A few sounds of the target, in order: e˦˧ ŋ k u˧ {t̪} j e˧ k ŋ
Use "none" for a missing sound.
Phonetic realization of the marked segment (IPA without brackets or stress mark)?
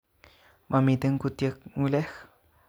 t̪